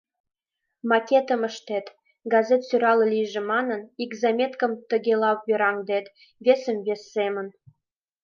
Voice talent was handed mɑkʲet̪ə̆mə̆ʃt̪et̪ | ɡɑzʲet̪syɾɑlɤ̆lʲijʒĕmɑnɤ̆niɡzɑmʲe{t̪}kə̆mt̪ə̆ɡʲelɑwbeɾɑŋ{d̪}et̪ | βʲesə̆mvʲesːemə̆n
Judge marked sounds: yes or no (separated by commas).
yes, yes